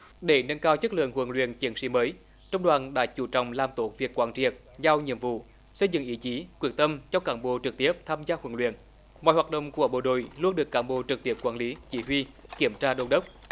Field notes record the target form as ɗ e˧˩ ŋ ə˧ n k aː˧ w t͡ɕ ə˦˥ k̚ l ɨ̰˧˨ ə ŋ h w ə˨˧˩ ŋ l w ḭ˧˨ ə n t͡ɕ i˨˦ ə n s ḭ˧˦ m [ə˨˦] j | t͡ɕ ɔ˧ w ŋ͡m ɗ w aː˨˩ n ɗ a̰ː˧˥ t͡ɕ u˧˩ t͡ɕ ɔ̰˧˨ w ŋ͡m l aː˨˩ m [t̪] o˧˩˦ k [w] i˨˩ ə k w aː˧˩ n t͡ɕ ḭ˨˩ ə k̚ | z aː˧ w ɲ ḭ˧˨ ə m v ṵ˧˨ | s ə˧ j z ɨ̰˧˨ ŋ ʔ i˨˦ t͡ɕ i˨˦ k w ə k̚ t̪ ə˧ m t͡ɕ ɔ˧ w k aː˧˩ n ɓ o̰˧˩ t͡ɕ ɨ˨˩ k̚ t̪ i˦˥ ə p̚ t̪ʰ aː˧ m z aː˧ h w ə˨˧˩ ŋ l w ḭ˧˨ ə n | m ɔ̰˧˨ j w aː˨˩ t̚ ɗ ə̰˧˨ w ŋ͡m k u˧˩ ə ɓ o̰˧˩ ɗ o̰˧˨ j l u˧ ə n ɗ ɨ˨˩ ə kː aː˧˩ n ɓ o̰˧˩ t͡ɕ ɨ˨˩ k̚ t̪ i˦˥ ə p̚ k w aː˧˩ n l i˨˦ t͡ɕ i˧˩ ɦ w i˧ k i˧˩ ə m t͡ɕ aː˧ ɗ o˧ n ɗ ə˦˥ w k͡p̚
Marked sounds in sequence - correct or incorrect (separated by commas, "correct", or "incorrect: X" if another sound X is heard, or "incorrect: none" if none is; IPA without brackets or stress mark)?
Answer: incorrect: əː˨˦, correct, incorrect: v